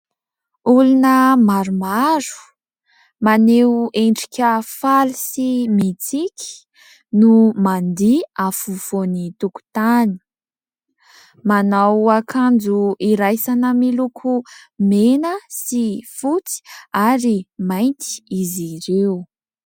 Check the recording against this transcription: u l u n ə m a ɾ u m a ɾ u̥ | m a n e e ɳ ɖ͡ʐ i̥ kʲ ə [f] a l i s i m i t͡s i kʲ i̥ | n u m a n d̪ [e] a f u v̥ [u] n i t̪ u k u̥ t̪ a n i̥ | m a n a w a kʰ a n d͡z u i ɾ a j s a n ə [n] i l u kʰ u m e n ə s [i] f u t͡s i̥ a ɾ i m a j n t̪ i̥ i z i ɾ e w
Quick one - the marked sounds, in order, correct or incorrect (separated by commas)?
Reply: correct, incorrect, incorrect, incorrect, correct